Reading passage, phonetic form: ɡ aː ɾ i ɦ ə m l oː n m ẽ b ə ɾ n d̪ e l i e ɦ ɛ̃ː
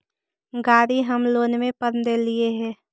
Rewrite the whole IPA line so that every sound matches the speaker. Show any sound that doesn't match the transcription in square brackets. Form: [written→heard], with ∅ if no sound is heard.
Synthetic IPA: ɡ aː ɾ i ɦ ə m l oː n m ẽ [b→p] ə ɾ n d̪ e l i e ɦ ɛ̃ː